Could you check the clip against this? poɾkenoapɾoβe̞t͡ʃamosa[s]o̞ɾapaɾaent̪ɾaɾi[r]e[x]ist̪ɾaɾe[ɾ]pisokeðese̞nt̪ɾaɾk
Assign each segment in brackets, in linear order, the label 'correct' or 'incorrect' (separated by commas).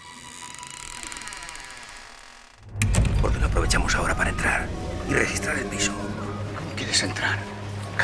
incorrect, correct, correct, incorrect